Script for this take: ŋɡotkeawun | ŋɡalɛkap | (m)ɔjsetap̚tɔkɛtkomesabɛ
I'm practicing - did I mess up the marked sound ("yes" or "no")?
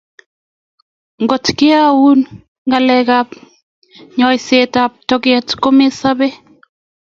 yes